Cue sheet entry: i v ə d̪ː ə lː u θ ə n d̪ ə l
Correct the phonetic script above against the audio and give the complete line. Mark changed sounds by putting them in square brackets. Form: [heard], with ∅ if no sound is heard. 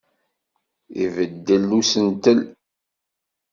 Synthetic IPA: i v ə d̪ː ə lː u [s] ə n [t̪] ə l